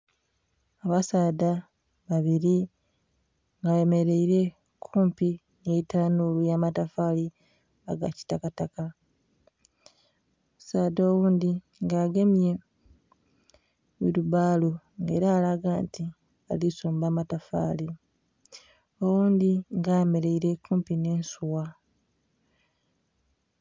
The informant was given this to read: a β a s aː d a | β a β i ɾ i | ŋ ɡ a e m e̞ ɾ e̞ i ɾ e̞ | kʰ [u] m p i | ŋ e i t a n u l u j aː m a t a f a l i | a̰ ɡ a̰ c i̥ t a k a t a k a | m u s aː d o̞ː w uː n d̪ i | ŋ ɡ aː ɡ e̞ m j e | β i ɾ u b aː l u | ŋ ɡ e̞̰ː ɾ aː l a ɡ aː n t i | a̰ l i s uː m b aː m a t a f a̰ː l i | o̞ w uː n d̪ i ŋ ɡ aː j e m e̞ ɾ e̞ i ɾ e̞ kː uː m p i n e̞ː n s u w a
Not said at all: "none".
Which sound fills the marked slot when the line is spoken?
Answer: uː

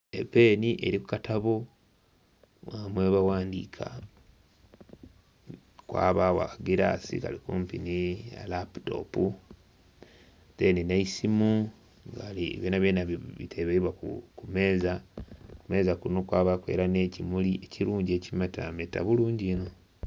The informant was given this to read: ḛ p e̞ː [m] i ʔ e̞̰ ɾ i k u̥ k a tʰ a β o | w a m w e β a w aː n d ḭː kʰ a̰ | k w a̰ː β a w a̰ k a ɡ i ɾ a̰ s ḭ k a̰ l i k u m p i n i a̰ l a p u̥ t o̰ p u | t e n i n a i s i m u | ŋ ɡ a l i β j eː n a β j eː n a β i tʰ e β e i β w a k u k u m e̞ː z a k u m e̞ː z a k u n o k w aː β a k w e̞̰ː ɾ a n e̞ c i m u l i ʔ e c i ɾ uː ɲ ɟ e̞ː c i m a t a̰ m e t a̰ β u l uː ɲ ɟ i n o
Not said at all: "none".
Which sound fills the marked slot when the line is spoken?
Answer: n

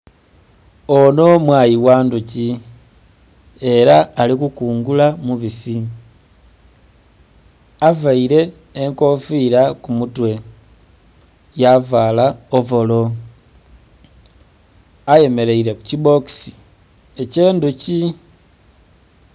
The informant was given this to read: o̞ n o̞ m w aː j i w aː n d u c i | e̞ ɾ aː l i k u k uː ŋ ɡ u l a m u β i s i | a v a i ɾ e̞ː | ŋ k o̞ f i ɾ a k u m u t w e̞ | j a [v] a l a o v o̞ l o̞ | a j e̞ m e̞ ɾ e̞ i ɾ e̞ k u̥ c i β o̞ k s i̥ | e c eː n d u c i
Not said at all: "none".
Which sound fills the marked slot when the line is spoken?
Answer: v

